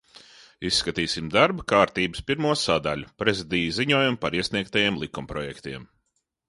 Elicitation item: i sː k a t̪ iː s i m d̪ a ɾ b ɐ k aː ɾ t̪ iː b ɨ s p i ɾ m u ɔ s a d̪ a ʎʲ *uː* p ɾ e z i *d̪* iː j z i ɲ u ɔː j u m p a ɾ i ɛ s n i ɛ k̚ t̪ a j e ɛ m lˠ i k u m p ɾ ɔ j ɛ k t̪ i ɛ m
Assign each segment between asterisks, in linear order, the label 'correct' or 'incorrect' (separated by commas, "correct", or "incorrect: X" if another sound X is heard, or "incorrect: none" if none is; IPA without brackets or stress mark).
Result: incorrect: u, correct